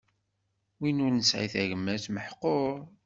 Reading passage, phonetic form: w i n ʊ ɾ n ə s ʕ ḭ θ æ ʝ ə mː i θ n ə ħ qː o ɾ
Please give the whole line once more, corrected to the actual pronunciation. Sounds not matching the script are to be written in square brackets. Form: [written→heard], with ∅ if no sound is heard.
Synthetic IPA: w i n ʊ ɾ n ə s ʕ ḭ θ æ ʝ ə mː [i→æ] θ [n→m] ə ħ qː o ɾ